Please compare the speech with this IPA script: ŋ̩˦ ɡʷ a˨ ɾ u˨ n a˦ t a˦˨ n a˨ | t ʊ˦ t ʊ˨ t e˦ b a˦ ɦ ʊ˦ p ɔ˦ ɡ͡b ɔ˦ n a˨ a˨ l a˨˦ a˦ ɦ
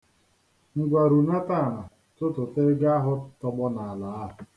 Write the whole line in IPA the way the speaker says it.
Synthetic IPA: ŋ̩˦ ɡʷ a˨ ɾ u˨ n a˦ t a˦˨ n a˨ | t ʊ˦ t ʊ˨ t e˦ ɡ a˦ ɦ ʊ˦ t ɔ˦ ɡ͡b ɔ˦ n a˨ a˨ l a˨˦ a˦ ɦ